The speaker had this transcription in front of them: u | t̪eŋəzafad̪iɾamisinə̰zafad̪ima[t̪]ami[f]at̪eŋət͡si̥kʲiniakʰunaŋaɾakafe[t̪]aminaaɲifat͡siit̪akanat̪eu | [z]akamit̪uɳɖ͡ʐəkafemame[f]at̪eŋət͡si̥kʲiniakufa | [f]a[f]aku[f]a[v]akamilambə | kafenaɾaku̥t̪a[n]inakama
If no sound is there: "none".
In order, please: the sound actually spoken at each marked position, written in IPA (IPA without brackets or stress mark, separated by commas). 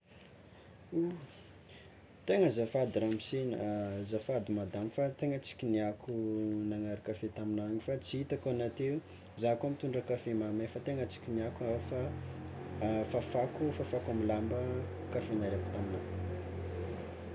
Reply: d̪, f, t̪, z, f, f, f, f, f, m